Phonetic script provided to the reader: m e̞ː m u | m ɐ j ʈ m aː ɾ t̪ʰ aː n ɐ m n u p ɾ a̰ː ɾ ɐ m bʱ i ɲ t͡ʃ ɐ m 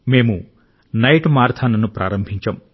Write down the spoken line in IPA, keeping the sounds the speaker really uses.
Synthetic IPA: m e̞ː m u | n ɐ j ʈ m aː ɾ t̪ʰ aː n ɐ n u p ɾ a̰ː ɾ ɐ m bʱ i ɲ t͡ʃ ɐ m

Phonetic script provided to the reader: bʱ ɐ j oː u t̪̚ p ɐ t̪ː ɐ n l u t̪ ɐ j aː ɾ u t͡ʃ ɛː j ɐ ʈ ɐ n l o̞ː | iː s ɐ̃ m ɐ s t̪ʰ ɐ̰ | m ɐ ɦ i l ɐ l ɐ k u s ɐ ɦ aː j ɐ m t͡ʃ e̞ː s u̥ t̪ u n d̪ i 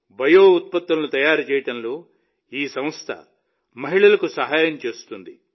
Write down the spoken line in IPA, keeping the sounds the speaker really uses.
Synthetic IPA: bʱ ɐ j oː u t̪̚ p ɐ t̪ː ɐ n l u t̪ ɐ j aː ɾ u t͡ʃ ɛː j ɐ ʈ ɐ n l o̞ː | iː s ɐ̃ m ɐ s t̪ʰ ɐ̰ | m ɐ ɦ i ɭ ɐ l ɐ k u s ɐ ɦ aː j ɐ m t͡ʃ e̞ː s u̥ t̪ u n d̪ i

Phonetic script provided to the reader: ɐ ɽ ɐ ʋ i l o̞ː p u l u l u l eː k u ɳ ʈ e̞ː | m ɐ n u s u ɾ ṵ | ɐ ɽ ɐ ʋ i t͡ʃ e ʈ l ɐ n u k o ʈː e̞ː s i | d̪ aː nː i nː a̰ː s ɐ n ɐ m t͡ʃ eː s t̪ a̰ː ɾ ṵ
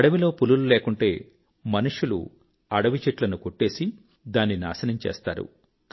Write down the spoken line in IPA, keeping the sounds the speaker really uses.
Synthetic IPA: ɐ ɽ ɐ ʋ i l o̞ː p u l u l u l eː k u ɳ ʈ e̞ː | m ɐ n u ʂ u l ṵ | ɐ ɽ ɐ ʋ i t͡ʃ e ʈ l ɐ n u k o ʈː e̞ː s i | d̪ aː nː i n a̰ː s ɐ n ɐ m t͡ʃ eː s t̪ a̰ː ɾ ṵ

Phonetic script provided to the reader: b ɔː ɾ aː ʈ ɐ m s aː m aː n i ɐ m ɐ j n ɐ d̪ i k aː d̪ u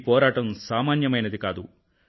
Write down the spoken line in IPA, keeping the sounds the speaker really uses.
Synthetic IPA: p ɔː ɾ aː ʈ ɐ m s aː m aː n j ɐ m ɐ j n ɐ d̪ i k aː d̪ u

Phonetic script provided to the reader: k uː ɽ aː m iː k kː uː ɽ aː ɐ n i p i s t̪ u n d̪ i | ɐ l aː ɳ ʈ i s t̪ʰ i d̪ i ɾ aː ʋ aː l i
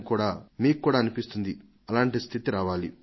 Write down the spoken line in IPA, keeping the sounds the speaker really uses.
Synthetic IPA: k uː ɽ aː m iː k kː uː ɽ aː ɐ n i p i s t̪ u n d̪ i | ɐ l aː ɳ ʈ i s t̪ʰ i t̪ i ɾ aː ʋ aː l i

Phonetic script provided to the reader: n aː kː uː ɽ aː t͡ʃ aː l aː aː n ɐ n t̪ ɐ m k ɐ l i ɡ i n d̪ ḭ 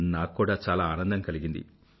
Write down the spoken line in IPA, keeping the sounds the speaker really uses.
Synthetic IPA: n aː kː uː ɽ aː t͡ʃ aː l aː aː n ɐ n d̪ ɐ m k ɐ l i ɡ i n d̪ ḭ

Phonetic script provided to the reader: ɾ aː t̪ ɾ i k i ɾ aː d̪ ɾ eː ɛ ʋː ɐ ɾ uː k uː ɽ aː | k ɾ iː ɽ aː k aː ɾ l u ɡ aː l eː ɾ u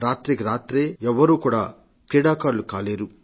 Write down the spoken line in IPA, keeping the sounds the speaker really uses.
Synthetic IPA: ɾ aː t̪ ɾ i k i ɾ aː t̪ ɾ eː ɛ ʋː ɐ ɾ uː k uː ɽ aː | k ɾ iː ɽ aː k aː ɾ l u k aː l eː ɾ u

